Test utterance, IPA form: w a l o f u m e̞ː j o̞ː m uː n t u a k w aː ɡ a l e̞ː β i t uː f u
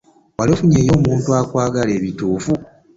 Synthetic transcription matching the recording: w a l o f u ɲ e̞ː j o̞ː m uː n t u a k w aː ɡ a l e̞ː β i t uː f u